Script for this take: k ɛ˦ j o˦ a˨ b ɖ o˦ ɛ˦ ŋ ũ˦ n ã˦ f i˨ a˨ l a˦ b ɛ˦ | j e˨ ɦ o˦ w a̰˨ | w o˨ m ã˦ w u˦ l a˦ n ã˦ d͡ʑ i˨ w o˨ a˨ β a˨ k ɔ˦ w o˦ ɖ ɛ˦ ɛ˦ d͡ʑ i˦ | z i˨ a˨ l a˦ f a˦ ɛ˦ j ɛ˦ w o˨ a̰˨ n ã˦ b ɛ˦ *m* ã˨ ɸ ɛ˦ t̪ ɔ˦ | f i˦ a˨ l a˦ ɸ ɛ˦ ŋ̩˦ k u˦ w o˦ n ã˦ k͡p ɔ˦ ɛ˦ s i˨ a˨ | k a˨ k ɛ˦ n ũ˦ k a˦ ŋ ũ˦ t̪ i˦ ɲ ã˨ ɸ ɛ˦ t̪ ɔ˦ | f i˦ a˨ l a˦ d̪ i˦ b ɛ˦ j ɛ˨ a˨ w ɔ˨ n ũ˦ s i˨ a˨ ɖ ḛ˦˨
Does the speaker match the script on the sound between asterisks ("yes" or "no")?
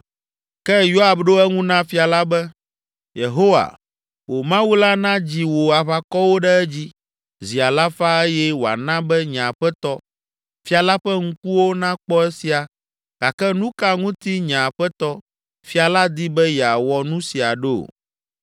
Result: no